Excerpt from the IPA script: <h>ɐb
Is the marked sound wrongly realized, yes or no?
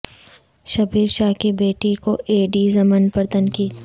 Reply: yes